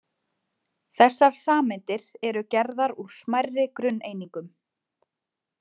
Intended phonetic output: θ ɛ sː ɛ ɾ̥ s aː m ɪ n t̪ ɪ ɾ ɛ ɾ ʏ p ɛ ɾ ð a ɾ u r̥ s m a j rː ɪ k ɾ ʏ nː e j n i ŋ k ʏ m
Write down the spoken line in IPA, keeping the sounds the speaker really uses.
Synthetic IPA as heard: θ ɛ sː a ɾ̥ s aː m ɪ n t̪ ɪ ɾ ɛ ɾ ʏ c ɛ ɾ ð a ɾ u ɾ̥ s m a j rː ɪ k ɾ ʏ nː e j n i ŋ k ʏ m